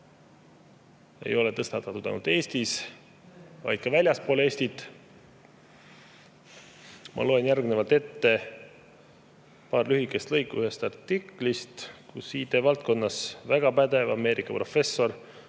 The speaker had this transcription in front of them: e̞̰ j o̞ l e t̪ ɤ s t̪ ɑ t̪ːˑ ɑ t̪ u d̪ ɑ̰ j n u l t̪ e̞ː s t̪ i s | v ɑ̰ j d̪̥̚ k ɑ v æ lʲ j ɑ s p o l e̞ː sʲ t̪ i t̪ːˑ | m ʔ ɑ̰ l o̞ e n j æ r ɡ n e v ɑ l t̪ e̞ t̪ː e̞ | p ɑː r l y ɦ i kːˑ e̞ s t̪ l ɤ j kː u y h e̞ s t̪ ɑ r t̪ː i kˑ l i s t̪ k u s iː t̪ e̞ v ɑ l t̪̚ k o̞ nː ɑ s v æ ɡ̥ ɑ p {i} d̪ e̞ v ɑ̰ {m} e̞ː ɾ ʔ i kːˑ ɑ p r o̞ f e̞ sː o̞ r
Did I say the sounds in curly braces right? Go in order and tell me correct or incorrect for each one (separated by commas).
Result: incorrect, correct